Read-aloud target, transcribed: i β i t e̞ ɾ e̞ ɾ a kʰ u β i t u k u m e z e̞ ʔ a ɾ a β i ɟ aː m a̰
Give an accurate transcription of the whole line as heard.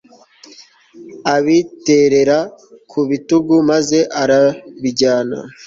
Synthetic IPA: a β i t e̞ ɾ e̞ ɾ a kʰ u β i t u ɡ u m a z e̞ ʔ a ɾ a β i ɟ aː n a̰

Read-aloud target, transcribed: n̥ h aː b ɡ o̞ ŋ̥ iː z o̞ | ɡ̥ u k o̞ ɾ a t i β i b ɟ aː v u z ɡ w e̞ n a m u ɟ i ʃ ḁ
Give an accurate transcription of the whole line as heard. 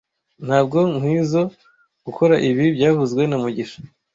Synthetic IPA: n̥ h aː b ɡ o̞ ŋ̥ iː z o̞ | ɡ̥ u k o̞ ɾ a ʔ i β i b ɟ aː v u z ɡ w e̞ n a m u ɟ i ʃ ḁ

